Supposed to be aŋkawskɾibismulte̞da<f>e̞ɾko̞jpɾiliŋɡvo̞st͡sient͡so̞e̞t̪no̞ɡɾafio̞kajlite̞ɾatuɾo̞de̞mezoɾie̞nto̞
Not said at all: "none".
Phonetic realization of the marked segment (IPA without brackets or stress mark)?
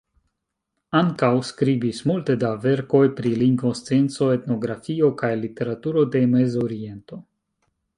v